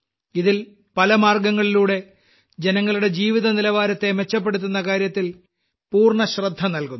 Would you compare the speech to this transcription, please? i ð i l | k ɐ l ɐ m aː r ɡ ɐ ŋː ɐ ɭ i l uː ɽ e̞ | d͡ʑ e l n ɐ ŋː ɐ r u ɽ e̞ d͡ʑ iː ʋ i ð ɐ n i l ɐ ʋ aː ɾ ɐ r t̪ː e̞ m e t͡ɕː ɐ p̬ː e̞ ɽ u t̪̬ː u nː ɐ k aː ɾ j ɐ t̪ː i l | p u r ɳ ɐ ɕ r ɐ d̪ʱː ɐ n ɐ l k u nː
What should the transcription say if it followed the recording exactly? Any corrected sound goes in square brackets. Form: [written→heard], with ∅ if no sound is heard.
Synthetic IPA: i ð i l | [k→p] ɐ l ɐ m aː r ɡ ɐ ŋː ɐ ɭ i l uː ɽ e̞ | d͡ʑ e [l→∅] n ɐ ŋː ɐ [r→ɭ] u ɽ e̞ d͡ʑ iː ʋ i ð ɐ n i l ɐ ʋ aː ɾ ɐ [r→∅] t̪ː e̞ m e t͡ɕː ɐ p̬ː e̞ ɽ u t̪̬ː u nː ɐ k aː ɾ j ɐ t̪ː i l | p [u→uː] r ɳ ɐ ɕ r ɐ d̪ʱː ɐ n ɐ l k u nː